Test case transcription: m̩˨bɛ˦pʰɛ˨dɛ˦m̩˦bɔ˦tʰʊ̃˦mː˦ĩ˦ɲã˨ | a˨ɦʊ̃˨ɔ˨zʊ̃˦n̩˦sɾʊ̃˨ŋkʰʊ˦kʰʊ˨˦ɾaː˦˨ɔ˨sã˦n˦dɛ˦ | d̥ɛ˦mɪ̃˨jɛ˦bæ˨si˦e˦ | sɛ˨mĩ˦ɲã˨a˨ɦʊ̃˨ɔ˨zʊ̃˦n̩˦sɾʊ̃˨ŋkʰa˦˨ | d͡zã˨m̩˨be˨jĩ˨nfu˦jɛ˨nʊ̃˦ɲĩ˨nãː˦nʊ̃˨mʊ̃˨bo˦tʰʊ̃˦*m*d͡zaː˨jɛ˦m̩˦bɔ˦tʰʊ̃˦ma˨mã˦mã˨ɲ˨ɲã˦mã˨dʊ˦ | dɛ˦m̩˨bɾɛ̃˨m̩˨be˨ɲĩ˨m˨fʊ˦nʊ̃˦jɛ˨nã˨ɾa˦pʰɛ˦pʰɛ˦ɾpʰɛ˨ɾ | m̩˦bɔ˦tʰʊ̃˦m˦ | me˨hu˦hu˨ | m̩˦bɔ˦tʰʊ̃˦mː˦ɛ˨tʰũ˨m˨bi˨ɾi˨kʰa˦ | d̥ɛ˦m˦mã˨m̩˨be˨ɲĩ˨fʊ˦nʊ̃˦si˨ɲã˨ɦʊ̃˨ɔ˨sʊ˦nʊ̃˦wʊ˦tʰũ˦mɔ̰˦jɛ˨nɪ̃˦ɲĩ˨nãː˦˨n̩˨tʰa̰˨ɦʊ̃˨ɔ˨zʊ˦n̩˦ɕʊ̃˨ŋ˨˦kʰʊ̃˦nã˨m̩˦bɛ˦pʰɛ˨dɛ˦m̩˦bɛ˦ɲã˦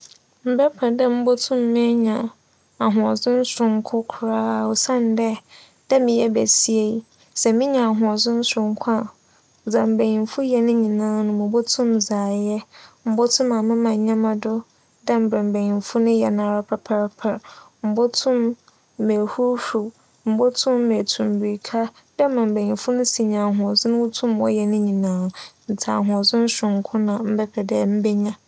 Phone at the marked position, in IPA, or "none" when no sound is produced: m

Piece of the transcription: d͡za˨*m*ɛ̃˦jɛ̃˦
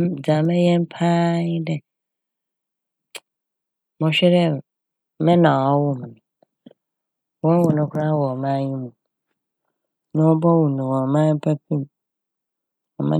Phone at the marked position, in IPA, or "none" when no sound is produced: m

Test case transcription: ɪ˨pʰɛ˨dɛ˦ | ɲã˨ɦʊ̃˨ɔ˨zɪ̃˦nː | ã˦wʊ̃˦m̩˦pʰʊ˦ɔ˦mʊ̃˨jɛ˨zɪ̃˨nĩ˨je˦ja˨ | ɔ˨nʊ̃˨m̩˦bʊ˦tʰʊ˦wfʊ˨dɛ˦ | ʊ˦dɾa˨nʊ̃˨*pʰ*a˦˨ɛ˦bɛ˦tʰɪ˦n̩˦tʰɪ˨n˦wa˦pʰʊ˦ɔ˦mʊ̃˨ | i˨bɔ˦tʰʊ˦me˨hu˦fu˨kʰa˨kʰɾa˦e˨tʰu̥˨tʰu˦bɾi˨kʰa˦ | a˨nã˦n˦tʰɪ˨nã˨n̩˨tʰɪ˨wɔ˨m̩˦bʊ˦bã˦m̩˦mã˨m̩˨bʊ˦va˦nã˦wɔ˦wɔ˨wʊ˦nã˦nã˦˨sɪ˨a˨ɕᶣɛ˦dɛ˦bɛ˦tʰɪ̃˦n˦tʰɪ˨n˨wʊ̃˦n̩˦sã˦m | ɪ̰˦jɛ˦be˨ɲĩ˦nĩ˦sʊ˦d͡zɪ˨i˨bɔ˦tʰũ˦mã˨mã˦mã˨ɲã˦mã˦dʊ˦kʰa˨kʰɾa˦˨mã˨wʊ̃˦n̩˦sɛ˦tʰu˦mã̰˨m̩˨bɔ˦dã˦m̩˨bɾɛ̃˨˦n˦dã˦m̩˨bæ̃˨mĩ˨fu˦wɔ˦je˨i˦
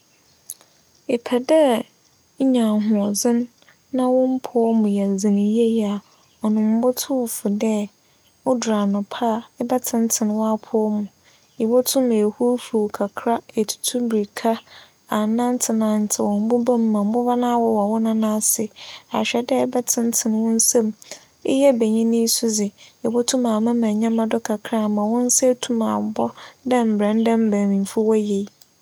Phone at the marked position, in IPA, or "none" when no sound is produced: pʰ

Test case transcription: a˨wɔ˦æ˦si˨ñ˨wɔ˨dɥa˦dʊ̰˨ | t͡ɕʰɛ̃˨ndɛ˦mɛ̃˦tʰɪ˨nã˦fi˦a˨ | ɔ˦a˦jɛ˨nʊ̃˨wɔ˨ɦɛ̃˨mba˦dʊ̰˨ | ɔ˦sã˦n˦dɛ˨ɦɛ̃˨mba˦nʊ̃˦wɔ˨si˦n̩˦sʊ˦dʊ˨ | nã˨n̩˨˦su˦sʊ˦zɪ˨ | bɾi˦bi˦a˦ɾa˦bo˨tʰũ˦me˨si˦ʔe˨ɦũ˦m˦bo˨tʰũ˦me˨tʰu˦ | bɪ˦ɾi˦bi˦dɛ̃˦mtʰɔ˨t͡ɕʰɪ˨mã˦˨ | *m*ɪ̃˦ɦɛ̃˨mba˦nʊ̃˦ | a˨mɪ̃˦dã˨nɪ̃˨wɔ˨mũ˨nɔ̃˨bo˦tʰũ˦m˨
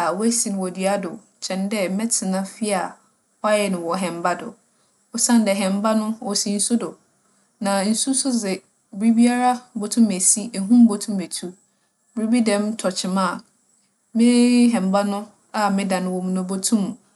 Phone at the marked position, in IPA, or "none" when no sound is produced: m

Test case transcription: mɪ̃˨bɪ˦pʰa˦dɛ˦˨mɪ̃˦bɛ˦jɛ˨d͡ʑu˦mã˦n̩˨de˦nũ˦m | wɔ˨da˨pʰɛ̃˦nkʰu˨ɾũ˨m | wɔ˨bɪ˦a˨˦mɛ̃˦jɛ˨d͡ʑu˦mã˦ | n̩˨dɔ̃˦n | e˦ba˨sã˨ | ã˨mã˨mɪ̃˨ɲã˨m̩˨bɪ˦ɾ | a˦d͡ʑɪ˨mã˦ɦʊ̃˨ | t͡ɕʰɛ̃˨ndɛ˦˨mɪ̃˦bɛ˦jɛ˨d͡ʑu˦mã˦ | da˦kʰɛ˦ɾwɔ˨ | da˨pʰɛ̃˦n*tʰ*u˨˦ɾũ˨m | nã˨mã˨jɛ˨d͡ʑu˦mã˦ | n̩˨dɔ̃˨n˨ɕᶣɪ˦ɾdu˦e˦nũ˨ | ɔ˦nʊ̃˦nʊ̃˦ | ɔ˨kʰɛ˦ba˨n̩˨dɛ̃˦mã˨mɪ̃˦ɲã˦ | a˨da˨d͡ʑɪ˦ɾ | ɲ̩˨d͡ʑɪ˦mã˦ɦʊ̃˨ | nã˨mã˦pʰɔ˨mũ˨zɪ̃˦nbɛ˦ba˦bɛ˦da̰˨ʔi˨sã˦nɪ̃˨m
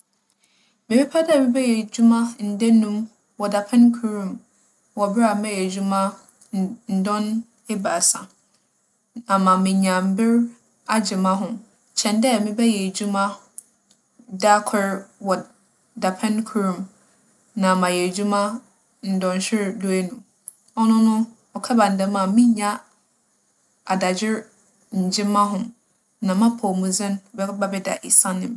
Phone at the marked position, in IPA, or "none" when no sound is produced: kʰ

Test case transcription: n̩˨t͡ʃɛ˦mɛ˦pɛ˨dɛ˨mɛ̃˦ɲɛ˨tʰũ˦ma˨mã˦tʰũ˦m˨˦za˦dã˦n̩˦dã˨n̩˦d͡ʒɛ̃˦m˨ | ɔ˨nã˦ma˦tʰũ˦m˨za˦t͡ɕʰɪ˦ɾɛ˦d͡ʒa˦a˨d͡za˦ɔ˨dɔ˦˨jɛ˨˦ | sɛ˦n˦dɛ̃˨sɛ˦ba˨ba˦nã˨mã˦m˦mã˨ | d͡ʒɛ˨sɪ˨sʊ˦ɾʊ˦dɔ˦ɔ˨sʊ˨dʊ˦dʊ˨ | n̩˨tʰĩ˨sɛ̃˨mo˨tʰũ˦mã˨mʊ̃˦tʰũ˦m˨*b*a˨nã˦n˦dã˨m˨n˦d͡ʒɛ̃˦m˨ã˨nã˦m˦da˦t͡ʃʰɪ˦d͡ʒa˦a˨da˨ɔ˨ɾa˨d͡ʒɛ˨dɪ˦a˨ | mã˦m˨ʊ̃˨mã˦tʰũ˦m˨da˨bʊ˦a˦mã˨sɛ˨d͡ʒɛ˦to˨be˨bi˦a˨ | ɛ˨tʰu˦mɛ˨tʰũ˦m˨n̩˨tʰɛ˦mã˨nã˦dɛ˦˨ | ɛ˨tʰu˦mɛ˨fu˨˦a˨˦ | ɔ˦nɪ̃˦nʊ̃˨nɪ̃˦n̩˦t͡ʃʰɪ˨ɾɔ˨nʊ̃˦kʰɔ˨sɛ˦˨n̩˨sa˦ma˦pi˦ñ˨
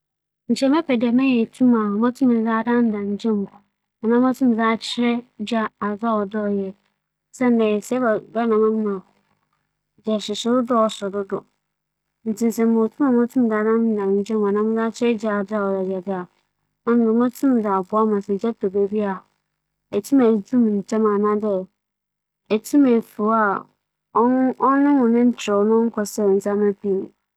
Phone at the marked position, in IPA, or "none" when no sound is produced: d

